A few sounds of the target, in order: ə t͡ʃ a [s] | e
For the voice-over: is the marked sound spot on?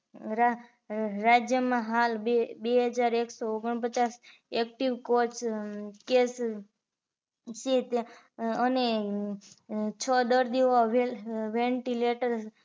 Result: yes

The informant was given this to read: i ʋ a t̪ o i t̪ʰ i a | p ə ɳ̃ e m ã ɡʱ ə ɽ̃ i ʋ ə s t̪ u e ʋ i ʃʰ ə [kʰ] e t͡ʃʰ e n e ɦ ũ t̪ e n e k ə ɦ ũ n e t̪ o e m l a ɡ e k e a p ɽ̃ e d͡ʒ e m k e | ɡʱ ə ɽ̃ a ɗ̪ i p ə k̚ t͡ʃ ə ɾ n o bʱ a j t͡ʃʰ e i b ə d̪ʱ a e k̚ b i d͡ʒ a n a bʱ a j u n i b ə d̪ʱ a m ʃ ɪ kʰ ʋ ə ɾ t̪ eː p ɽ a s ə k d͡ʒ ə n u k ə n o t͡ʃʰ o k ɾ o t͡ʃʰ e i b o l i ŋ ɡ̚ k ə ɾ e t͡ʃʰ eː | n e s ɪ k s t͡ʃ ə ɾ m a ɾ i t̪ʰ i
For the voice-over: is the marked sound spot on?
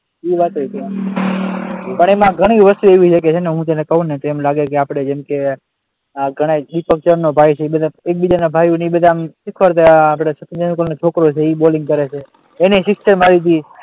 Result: no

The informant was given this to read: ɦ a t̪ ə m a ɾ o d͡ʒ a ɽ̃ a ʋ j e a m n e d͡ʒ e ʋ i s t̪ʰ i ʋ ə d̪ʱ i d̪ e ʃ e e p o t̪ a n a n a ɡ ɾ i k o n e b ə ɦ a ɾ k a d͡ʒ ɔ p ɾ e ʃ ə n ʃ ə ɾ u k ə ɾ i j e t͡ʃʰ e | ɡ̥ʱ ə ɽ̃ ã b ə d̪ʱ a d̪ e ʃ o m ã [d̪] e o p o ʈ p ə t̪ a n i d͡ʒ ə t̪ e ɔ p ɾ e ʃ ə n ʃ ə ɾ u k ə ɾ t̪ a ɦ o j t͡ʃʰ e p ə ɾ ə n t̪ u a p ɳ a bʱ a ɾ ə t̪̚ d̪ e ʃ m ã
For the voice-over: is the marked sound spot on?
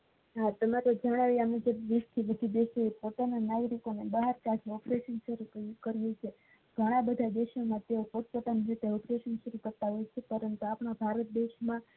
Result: no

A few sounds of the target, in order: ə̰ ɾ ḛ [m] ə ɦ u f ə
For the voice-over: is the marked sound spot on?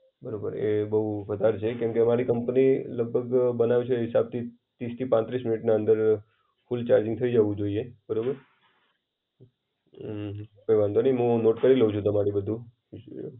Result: no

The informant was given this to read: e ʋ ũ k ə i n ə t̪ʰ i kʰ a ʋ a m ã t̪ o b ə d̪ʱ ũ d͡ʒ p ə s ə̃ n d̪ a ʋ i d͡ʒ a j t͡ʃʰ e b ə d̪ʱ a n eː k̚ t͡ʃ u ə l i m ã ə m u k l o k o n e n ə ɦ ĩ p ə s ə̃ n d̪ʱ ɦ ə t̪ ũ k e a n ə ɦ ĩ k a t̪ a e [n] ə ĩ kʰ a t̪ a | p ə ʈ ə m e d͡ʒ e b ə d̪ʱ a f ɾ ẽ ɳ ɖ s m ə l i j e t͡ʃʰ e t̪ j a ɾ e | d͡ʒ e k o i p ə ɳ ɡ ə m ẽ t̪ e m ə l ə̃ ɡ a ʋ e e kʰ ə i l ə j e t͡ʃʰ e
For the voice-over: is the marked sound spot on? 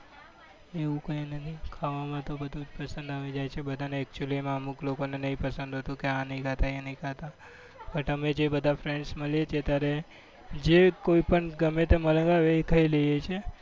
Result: yes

